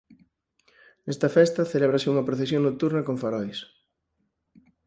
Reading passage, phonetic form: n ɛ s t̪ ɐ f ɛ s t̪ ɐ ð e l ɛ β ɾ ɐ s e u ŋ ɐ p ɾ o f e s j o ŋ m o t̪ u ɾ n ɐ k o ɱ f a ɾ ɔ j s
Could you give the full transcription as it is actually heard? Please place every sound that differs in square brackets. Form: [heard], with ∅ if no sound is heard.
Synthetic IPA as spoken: n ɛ s t̪ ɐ f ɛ s t̪ ɐ [θ] e l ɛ β ɾ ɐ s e u ŋ ɐ p ɾ o [θ] e s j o ŋ [n] o t̪ u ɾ n ɐ k o ɱ f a ɾ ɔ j s